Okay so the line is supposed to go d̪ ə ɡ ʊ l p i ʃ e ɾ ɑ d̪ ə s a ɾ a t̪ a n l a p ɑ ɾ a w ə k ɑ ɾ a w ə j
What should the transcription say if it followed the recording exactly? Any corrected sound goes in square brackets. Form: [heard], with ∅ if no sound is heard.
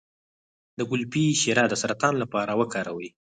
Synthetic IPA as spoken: d̪ ə ɡ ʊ l p i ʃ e ɾ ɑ d̪ ə s a ɾ a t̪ [ɑ] n l a p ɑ ɾ a w ə k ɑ ɾ a w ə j